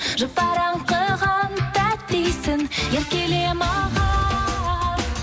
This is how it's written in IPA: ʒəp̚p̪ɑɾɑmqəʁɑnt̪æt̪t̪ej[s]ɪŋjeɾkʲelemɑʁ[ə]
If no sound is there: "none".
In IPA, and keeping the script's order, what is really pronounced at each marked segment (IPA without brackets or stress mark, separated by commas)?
s, ɑ